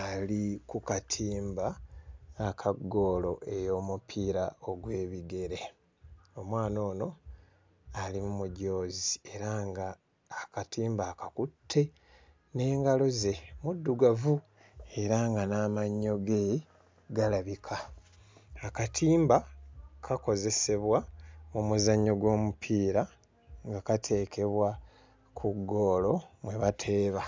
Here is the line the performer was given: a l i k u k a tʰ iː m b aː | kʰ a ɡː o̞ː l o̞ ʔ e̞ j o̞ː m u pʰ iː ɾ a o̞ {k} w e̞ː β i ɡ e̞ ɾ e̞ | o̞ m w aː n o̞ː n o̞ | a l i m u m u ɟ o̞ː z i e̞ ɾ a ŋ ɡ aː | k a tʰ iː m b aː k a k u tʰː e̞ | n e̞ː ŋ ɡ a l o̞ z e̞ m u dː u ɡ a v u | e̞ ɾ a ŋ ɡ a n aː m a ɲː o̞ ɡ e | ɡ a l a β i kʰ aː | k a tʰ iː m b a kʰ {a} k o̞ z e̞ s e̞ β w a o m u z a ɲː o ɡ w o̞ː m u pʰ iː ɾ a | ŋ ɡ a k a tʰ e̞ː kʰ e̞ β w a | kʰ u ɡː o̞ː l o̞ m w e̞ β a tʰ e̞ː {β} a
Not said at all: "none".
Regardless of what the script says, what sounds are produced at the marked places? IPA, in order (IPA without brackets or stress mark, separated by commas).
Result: ɡ, a, β